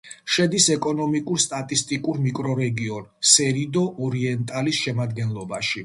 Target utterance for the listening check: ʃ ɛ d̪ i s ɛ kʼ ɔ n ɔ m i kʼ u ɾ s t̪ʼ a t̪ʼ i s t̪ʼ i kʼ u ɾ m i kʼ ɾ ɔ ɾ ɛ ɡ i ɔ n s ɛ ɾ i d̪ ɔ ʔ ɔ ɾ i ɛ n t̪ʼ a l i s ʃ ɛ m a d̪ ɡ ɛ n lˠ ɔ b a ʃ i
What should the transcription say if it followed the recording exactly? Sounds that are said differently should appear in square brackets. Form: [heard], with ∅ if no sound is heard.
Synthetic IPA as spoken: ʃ ɛ d̪ i s ɛ kʼ ɔ n ɔ m i kʼ u ɾ s t̪ʼ a t̪ʼ i s t̪ʼ i kʼ u ɾ m i kʼ ɾ ɔ ɾ ɛ ɡ i ɔ n s ɛ ɾ i d̪ ɔ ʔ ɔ ɾ i ɛ n t̪ʼ a l i s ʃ ɛ m a d̪ ɡ ɛ n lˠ ɔ b a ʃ i